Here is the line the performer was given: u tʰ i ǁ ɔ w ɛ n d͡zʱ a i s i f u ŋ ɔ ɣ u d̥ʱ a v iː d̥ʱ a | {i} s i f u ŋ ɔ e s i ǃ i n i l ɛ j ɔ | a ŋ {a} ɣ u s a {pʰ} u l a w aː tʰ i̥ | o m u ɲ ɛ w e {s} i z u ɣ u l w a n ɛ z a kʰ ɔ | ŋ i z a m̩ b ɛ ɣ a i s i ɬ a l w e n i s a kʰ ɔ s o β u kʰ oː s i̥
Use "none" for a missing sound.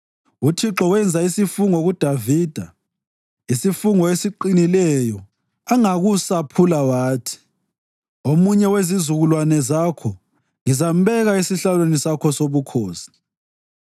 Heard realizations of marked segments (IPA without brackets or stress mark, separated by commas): i, a, pʰ, z